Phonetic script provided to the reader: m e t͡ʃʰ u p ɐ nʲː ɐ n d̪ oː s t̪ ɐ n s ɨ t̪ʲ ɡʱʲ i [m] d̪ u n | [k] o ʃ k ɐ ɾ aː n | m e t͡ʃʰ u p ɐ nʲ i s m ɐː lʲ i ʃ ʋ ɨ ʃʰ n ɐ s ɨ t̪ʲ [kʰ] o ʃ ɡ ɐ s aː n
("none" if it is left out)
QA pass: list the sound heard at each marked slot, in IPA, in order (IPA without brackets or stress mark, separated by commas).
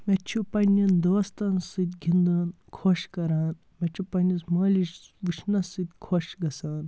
n, kʰ, kʰ